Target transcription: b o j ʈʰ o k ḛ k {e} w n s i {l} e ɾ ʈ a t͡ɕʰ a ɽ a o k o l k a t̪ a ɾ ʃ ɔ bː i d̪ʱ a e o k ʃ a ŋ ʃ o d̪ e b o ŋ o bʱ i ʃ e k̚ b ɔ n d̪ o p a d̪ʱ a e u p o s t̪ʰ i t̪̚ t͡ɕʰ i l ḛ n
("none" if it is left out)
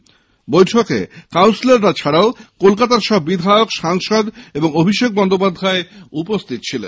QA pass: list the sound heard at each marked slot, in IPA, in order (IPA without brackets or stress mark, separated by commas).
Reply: a, l